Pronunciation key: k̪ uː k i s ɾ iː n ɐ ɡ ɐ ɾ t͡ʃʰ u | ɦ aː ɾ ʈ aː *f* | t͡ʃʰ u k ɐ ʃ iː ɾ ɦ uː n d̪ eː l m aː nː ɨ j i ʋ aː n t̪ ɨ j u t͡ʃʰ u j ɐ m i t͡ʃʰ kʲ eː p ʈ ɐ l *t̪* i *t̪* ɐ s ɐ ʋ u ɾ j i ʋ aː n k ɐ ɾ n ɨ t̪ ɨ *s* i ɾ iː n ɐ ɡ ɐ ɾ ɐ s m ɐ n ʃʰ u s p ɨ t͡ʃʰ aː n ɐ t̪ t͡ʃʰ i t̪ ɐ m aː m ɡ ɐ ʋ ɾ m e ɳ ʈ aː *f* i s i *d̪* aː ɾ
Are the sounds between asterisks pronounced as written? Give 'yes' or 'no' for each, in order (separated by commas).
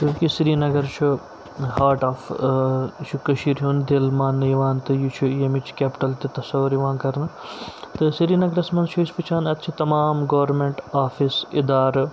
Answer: yes, yes, yes, yes, yes, yes